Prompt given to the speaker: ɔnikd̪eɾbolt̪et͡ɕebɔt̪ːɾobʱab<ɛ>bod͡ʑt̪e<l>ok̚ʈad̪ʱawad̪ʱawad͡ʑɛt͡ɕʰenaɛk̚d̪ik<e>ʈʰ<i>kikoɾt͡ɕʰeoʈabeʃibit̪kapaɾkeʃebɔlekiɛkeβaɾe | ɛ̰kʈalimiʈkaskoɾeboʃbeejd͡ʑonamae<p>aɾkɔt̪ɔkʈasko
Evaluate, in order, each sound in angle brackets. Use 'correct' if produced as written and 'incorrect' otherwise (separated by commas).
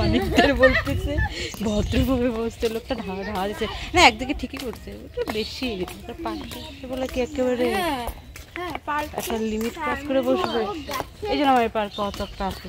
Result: incorrect, correct, correct, correct, correct